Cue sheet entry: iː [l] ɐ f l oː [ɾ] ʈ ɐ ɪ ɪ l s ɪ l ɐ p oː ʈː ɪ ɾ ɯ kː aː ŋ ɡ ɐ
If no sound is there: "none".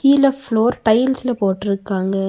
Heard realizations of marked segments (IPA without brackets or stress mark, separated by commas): l, ɾ